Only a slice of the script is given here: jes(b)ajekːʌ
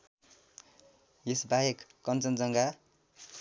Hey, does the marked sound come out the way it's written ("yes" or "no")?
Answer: yes